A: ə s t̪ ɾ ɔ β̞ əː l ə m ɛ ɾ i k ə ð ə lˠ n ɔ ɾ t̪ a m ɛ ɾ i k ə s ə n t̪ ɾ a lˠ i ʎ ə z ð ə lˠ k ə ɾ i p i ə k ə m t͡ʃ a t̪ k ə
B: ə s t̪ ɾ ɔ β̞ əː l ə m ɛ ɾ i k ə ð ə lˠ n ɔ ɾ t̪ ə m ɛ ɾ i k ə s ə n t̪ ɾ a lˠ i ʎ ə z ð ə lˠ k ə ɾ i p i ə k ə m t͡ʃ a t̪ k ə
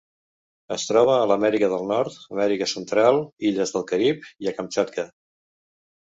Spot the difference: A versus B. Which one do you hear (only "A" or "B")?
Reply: B